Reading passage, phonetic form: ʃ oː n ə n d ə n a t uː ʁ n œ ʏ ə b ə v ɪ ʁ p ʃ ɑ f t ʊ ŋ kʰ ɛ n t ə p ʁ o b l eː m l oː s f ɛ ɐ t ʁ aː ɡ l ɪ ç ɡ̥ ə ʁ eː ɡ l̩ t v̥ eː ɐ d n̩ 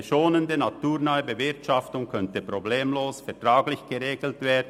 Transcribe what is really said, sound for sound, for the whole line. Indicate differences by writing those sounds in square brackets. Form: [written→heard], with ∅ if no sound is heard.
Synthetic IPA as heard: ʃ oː n ə n d ə n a t uː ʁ n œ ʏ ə b ə v ɪ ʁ [p→t] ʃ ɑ f t ʊ ŋ kʰ [ɛ→œ] n t ə p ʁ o b l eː m l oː s f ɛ ɐ t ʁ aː ɡ l ɪ ç ɡ̥ ə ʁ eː ɡ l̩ t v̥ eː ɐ d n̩

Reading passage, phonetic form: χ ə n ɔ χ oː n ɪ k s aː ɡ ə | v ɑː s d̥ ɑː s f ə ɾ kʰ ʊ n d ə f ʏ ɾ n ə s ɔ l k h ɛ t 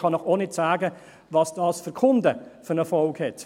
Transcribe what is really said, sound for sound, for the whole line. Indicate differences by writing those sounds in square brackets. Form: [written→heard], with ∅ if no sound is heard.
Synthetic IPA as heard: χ [ə→ɑ] n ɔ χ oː n ɪ [k→t] s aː ɡ ə | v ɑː s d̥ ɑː s f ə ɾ kʰ ʊ n d ə f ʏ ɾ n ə [s→f] ɔ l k h ɛ t

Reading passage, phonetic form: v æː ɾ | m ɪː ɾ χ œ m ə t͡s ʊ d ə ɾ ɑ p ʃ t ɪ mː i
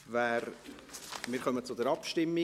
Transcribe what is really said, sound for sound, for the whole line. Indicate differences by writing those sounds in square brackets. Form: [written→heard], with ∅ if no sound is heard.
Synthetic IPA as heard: v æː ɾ | m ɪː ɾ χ œ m ə t͡s ʊ d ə ɾ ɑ p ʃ t ɪ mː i

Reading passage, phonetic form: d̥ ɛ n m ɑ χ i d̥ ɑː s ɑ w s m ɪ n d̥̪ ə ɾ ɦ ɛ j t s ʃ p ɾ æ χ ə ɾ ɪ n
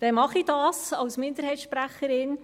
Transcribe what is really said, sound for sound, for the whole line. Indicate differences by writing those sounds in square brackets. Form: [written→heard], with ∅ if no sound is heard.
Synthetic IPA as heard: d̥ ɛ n m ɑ χ i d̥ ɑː s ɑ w s m ɪ n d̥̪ ə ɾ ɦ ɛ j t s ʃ p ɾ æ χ ə ɾ ɪ n

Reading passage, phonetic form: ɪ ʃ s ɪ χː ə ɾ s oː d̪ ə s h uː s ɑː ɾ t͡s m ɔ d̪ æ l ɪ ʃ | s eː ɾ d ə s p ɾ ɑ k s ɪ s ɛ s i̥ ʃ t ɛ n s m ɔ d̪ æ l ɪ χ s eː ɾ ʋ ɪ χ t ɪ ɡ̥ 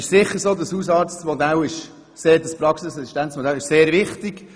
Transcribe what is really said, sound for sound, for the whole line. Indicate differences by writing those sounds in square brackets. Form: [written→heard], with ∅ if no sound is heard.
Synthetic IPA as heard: ɪ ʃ s ɪ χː ə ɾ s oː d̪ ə s h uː s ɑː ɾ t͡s m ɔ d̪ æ l ɪ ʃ | s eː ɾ d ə s p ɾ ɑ k s ɪ s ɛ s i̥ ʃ t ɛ n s m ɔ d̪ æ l ɪ [χ→ʃ] s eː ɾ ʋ ɪ χ t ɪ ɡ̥

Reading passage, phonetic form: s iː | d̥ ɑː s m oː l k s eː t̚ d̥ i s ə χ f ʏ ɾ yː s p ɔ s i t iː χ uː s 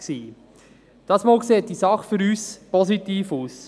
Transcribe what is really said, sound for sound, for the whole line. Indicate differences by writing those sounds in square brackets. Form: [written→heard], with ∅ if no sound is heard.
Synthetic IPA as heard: s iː | d̥ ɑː s m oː l k s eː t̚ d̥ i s [ə→ɑ] χ f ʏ ɾ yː s p ɔ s i t iː [χ→f] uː s

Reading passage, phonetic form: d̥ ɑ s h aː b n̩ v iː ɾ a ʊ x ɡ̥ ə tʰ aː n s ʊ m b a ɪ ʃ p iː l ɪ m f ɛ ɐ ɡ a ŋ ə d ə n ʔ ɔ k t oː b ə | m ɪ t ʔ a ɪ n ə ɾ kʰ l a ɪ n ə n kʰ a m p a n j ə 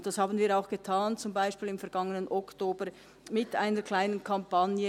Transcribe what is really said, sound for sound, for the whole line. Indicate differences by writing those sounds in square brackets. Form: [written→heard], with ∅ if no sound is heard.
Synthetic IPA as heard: d̥ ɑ s h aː b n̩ v iː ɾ a ʊ x ɡ̥ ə tʰ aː n [s→t͡s] ʊ m b a ɪ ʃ p iː l ɪ m f ɛ ɐ ɡ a ŋ ə [d→n] ə n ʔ ɔ k t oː b ə | m ɪ t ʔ a ɪ n ə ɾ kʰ l a ɪ n ə n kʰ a m p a n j ə

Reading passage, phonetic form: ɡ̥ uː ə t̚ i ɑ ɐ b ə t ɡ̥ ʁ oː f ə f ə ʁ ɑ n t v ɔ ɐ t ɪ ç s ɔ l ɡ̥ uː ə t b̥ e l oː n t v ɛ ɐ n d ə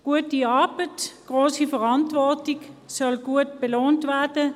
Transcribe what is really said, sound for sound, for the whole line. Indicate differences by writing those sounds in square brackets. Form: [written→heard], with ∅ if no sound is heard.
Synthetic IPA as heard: ɡ̥ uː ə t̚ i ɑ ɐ b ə t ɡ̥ ʁ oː [f→s] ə f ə ʁ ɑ n t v ɔ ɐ t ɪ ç s ɔ l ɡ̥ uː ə t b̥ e l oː n t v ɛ ɐ [n→∅] d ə

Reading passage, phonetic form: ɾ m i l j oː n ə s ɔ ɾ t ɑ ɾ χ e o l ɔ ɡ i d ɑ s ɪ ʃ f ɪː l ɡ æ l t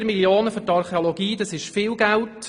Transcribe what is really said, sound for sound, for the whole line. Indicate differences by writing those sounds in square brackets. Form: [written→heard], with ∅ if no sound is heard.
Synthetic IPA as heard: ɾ m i l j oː n ə [s→f] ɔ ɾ t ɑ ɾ χ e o l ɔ ɡ [i→iː] d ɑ s ɪ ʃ f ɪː l ɡ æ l t

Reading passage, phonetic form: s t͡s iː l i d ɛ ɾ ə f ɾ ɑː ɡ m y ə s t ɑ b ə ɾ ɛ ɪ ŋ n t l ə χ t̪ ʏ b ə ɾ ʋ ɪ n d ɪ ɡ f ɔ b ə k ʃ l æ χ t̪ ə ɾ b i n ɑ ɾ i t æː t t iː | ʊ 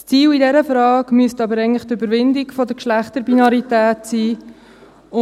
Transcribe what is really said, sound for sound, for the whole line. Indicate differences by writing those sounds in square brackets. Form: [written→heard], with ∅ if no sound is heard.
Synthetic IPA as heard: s t͡s iː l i d ɛ ɾ ə f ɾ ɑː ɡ m y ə s t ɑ b ə ɾ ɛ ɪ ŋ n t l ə χ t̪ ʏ b ə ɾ ʋ ɪ n d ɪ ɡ f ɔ [b→d] ə k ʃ l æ χ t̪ ə ɾ b i n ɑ ɾ i t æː t [t→s] iː | ʊ

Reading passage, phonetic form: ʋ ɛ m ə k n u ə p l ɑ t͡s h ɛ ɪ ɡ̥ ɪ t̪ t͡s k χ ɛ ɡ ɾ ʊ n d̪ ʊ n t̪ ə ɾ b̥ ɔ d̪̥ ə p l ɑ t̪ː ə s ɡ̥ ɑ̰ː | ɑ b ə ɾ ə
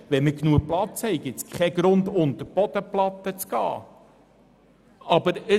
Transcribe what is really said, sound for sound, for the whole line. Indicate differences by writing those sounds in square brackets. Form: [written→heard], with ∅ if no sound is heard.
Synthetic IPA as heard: ʋ ɛ m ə k n u ə p l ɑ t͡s h ɛ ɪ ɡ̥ ɪ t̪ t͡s k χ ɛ ɡ ɾ ʊ n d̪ ʊ n t̪ ə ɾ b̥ ɔ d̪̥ ə p l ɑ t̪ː ə [s→t͡s] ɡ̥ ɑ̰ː | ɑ b ə ɾ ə

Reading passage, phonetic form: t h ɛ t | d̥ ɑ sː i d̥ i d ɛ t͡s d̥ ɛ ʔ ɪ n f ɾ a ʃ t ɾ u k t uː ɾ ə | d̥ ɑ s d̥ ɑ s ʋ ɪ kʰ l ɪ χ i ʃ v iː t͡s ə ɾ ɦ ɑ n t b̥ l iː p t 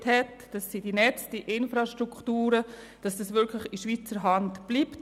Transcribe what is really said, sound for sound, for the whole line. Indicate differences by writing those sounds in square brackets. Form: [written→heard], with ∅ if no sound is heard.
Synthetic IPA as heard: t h ɛ t | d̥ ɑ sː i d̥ i [d→n] ɛ t͡s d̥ [ɛ→i] ʔ ɪ n f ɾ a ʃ t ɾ u k t uː ɾ ə | d̥ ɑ s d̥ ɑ s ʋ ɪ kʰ l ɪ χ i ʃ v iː t͡s ə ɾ ɦ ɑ n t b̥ l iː p t

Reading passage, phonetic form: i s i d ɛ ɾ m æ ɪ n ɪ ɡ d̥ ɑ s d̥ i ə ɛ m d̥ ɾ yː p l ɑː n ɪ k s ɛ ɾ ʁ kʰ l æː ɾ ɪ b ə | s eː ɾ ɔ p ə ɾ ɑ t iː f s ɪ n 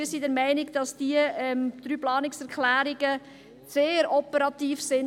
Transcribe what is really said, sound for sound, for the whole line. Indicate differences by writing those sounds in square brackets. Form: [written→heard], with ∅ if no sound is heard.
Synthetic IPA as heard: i s i d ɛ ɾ m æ ɪ n ɪ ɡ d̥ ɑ s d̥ i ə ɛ m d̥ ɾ yː p l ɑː n ɪ k s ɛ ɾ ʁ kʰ l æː ɾ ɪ [b→ɡ] ə | s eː ɾ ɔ p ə ɾ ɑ t iː f s ɪ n

